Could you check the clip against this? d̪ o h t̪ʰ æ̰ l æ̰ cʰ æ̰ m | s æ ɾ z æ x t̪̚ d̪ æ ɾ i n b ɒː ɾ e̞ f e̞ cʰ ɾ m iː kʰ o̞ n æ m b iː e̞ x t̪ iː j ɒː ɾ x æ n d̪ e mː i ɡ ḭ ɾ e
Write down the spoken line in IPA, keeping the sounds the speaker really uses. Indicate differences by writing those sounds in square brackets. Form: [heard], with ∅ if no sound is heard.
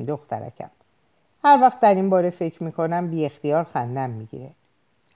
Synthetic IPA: d̪ o [x] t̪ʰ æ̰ [ɾ] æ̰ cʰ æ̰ m | [h] æ ɾ [v] æ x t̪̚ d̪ æ ɾ i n b ɒː ɾ e̞ f e̞ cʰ ɾ m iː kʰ o̞ n æ m b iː e̞ x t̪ [i] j ɒː ɾ x æ n d̪ [æ] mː i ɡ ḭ ɾ e